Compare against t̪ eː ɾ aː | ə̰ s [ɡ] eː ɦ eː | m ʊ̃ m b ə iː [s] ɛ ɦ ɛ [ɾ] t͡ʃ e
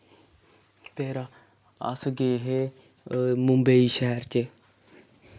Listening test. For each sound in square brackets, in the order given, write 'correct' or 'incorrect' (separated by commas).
correct, incorrect, correct